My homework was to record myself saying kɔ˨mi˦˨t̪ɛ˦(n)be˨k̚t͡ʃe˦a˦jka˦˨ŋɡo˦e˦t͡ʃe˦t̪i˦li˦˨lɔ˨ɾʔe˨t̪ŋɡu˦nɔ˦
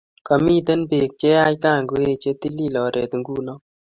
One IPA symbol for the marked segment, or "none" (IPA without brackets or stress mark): n